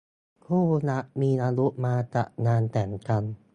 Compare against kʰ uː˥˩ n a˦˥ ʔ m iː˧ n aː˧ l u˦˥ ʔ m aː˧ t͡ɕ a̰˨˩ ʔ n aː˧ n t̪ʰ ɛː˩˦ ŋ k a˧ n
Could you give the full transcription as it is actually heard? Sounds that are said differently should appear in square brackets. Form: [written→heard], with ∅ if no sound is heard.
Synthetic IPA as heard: kʰ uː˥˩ n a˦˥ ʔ m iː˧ n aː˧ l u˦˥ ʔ m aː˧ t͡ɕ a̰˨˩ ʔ n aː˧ n [t̪ʰ→t̪] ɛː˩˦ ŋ k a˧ n